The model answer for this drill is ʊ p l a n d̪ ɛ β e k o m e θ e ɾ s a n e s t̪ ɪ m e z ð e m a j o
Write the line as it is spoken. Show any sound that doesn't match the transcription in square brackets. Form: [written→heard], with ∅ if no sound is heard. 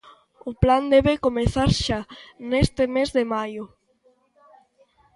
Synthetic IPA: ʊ p l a n d̪ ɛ β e k o m e θ [e→a] ɾ [s→ʃ] a n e s t̪ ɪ m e z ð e m a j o